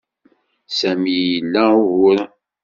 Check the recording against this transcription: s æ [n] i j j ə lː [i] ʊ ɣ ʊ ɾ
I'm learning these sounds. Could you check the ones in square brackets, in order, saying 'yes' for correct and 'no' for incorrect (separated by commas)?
no, no